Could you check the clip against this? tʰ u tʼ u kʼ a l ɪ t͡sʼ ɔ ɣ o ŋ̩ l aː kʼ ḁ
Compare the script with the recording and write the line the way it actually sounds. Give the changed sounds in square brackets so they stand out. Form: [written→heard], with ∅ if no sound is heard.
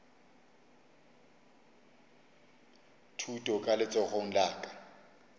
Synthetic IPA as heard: tʰ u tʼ [u→ɔ] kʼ a l ɪ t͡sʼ ɔ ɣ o ŋ̩ l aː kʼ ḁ